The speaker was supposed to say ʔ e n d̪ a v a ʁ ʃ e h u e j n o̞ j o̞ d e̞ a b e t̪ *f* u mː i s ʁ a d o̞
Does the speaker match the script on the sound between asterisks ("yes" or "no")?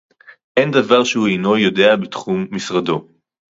no